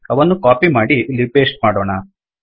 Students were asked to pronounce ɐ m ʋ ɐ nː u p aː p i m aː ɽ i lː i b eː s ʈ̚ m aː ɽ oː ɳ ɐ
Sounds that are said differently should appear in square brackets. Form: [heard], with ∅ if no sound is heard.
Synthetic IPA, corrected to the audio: ɐ [∅] ʋ ɐ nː u [k] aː p i m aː ɽ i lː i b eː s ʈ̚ m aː ɽ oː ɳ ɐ